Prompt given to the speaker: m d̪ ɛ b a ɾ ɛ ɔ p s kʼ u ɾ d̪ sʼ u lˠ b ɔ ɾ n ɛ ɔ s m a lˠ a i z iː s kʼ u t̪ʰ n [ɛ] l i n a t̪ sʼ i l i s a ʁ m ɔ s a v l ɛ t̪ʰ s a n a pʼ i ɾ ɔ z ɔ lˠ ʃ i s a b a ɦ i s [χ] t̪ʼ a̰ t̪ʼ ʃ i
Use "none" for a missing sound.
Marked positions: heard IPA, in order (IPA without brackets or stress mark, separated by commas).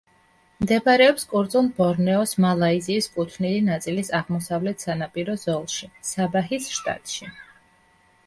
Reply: i, ʃ